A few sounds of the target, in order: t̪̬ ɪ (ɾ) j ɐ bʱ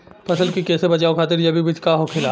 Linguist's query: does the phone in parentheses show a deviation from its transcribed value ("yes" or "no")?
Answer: no